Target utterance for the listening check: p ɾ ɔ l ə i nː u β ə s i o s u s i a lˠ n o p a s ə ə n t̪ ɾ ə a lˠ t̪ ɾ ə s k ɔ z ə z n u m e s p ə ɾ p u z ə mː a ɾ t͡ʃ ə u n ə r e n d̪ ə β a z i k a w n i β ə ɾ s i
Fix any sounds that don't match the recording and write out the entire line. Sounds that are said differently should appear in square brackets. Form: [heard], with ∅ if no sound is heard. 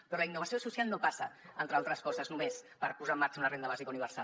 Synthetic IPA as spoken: p ɾ ɔ l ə i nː u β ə s i o s u s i a lˠ n o p a s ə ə n t̪ ɾ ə a lˠ t̪ ɾ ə s k ɔ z ə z n u m e s p ə ɾ p u z [a] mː a ɾ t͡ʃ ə u n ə r e n d̪ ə β a z i k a [u] n i β ə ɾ s [a]